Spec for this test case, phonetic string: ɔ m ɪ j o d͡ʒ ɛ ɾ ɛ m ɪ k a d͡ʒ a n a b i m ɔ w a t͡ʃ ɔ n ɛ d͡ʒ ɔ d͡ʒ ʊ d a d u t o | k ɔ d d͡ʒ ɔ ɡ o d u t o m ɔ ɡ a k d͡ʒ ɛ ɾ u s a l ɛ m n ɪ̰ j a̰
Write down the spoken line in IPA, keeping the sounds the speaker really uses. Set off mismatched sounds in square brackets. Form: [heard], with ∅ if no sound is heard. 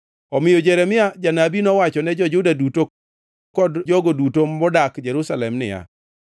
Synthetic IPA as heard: ɔ m ɪ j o d͡ʒ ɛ ɾ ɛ m ɪ [∅] a d͡ʒ a n a b i [n] ɔ w a t͡ʃ ɔ n ɛ d͡ʒ ɔ d͡ʒ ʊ d a d u t o | k ɔ d d͡ʒ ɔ ɡ o d u t o m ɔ [d] a k d͡ʒ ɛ ɾ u s a l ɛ m n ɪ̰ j a̰